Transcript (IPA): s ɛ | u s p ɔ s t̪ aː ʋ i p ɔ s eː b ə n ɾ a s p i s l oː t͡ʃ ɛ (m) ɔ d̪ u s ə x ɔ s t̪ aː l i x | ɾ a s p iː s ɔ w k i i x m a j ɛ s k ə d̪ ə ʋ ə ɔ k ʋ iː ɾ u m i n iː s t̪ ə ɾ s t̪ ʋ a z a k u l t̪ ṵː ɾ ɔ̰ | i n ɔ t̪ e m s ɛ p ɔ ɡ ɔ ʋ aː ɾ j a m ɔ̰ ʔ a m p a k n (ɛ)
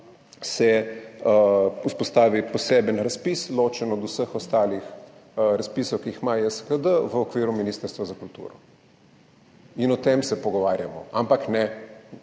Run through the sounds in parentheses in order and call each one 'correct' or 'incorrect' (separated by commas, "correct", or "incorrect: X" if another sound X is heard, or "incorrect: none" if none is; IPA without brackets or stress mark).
incorrect: n, correct